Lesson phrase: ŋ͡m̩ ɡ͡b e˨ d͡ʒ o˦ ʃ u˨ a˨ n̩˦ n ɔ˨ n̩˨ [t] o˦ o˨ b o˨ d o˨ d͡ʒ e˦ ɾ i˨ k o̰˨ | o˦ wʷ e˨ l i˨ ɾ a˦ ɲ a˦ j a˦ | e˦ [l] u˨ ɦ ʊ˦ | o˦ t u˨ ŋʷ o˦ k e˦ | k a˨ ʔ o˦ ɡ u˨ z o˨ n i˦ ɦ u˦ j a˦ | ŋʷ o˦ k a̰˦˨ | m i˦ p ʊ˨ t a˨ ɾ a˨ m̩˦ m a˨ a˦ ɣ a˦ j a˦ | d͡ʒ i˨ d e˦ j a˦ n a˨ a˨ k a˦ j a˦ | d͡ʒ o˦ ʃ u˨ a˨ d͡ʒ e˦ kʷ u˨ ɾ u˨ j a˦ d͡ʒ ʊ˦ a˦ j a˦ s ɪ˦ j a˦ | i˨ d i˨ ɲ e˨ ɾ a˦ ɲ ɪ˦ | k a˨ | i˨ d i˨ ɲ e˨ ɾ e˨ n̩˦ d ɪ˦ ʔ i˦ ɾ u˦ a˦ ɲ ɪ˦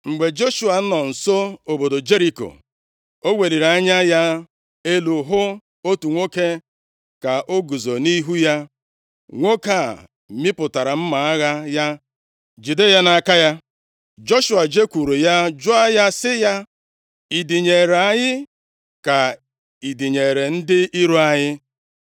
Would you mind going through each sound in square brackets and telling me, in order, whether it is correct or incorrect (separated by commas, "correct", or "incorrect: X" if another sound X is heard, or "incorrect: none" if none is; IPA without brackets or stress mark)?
incorrect: s, correct